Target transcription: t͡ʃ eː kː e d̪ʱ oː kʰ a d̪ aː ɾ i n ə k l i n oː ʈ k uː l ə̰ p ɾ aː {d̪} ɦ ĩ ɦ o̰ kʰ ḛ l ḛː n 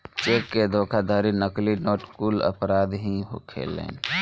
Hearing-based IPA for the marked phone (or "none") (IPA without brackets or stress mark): d̪